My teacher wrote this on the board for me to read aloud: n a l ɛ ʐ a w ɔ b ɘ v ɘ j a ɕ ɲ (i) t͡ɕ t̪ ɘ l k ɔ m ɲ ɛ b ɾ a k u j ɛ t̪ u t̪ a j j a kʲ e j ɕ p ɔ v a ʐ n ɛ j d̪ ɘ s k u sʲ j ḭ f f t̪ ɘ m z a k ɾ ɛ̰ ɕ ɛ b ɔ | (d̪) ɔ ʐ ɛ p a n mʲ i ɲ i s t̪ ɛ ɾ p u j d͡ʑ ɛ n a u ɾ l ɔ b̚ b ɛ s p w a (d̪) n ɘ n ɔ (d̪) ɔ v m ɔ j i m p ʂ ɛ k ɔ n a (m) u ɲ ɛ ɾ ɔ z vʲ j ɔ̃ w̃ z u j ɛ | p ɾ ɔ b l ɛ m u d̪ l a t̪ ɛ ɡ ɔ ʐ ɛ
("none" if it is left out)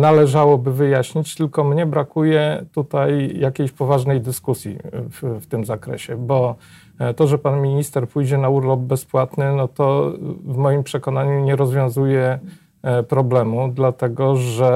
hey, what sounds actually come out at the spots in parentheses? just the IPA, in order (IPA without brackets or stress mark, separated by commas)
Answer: i, t̪, t̪, t̪, ɲ